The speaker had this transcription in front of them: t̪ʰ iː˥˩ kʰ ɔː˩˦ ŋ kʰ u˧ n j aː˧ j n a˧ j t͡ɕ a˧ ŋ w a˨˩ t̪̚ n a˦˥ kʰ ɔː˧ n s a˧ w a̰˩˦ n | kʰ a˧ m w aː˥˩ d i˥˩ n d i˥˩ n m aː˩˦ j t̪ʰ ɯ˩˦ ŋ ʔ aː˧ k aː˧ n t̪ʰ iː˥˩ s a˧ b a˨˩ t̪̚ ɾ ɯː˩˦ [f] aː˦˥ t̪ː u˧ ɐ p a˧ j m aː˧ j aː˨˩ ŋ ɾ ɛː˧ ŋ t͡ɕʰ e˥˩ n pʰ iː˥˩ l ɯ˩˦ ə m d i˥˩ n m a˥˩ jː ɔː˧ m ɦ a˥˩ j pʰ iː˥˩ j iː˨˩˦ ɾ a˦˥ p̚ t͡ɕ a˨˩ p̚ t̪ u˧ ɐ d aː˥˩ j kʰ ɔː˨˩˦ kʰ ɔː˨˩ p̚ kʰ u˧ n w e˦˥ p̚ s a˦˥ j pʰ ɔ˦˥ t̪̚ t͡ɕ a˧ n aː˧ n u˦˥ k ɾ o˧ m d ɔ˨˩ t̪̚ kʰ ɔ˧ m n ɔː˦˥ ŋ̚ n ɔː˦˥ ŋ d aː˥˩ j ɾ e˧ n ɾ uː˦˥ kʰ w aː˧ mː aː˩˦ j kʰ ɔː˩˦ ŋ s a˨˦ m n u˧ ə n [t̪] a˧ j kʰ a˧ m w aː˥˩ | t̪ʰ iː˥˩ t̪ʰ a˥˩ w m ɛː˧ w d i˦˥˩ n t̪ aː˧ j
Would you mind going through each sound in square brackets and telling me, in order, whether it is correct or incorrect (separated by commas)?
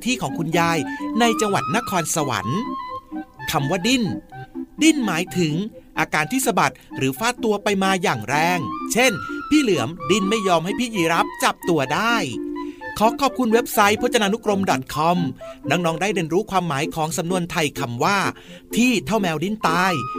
correct, incorrect